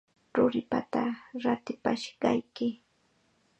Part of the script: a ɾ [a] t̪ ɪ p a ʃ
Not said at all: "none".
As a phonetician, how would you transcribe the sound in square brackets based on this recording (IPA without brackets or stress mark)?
a